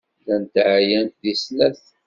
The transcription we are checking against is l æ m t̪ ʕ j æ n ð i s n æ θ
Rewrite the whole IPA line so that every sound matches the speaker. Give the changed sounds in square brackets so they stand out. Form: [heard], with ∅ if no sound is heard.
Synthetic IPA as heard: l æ [n] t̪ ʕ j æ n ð i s n æ θ